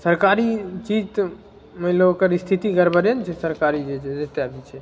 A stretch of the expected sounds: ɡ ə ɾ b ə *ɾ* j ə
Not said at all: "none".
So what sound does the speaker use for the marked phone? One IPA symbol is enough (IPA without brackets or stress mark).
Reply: ɾ